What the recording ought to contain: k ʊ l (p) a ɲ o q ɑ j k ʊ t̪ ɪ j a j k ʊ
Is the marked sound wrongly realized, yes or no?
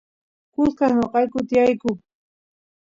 yes